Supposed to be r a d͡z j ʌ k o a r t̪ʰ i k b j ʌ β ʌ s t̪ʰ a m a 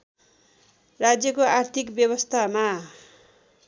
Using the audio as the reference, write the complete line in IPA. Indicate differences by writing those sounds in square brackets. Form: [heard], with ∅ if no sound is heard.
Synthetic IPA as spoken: r a d͡z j ʌ k o a r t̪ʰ i k b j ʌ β ʌ s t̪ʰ a m a

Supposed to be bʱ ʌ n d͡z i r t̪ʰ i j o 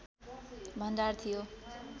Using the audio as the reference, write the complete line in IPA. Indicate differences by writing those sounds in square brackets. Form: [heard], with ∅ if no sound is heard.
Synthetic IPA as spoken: bʱ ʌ n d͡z [a] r t̪ʰ i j o

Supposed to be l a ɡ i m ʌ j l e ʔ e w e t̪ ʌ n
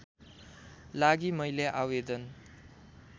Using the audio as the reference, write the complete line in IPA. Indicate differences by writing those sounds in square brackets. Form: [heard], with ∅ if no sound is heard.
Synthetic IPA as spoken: l a ɡ i m ʌ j l e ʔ [a] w e [d̪] ʌ n

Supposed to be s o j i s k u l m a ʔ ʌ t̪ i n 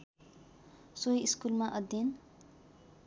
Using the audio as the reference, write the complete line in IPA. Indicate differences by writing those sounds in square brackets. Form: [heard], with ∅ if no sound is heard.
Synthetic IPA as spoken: s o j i s k u l m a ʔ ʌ [d̪] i n

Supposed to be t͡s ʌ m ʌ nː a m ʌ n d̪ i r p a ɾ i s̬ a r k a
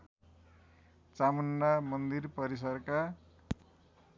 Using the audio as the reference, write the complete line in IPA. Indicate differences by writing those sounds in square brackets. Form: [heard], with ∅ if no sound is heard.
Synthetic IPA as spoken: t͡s [a] m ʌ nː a m ʌ n d̪ i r p [ʌ] ɾ i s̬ [ʌ] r k a

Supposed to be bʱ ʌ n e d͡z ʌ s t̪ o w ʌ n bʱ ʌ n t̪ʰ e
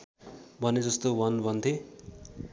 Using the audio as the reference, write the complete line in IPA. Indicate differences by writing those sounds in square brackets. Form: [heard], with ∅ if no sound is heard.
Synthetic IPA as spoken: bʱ ʌ n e d͡z ʌ s t̪ o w ʌ n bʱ ʌ n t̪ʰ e

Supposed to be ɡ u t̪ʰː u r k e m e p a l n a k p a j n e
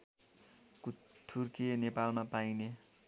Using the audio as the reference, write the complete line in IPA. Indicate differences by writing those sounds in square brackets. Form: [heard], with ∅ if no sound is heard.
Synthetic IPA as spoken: [k] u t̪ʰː u r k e [n] e p a l [m] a [∅] p a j n e

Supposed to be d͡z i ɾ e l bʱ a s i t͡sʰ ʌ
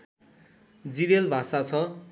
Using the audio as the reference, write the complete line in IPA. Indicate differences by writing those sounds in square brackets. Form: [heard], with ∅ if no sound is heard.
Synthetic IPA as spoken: d͡z i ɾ e l bʱ a s [a] t͡sʰ ʌ

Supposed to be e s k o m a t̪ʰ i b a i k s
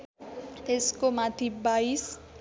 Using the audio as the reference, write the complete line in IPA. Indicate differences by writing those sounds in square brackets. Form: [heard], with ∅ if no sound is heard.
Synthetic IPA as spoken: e s k o m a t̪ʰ i b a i [∅] s

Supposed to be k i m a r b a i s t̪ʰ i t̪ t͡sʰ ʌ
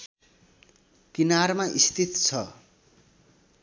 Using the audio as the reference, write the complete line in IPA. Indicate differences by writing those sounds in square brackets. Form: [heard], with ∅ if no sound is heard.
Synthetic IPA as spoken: k i [n] a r [m] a i s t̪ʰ i t̪ t͡sʰ ʌ

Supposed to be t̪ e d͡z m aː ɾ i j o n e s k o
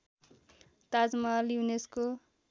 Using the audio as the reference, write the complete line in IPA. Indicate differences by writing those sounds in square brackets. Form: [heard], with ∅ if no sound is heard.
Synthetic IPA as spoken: t̪ [a] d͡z m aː [l] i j [u] n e s k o

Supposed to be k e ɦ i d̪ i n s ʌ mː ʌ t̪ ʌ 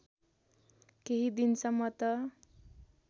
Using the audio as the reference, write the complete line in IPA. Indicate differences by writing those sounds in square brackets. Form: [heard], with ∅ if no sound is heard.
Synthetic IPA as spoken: k e ɦ i d̪ i n s ʌ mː ʌ t̪ ʌ

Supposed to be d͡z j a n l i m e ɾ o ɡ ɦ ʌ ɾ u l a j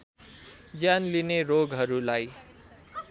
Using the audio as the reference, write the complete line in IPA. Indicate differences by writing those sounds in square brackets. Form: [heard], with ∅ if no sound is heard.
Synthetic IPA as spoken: d͡z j a n l i [n] e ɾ o ɡ ɦ ʌ ɾ u l a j

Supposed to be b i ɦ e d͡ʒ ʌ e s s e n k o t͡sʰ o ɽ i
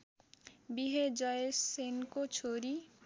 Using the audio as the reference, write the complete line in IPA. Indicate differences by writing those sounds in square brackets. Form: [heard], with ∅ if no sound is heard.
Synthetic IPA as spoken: b i ɦ e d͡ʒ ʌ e s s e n k o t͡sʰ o [ɾ] i

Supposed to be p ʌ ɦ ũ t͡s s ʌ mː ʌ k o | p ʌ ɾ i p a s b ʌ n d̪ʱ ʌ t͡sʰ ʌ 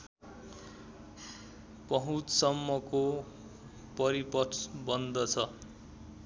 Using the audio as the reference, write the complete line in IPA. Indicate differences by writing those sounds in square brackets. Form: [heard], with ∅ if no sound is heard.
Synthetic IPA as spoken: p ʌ ɦ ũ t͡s s ʌ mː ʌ k o | p ʌ ɾ i p [ʌ] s b ʌ n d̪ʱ ʌ t͡sʰ ʌ

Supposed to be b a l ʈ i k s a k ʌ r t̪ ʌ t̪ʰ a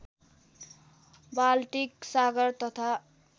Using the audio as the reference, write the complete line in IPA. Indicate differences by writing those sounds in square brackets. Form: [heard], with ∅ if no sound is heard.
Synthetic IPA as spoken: b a l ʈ i k s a [ɡ] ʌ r t̪ ʌ t̪ʰ a

